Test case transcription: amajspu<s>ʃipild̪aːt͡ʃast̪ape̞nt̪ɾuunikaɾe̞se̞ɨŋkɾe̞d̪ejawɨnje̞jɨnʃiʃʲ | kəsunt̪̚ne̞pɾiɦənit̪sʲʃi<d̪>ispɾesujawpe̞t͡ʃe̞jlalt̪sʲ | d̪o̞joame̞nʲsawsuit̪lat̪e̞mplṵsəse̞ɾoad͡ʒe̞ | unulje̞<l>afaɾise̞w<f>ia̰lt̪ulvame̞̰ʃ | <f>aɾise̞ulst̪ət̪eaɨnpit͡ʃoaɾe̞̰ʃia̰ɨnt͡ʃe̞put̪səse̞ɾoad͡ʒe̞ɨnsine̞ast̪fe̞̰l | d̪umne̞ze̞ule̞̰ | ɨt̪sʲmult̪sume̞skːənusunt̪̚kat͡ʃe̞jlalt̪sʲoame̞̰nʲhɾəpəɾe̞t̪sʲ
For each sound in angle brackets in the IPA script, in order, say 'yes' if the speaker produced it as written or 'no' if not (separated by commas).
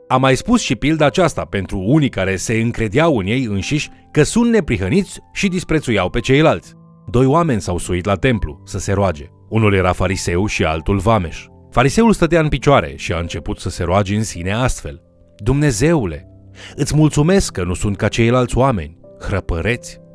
yes, yes, no, no, yes